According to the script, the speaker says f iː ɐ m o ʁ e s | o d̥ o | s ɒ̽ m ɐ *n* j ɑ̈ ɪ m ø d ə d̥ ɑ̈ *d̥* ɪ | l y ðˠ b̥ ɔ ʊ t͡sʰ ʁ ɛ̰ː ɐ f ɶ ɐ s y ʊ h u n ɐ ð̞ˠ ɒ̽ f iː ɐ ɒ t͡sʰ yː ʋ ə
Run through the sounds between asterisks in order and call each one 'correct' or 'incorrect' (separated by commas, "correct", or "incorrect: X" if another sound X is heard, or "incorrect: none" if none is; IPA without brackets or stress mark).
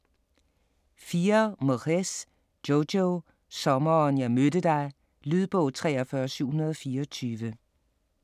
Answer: correct, incorrect: none